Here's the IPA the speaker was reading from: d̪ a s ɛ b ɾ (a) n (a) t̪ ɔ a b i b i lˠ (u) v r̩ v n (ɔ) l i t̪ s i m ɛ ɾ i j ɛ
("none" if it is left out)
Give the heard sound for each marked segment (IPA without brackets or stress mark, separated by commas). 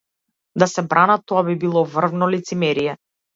a, a, ɔ, ɔ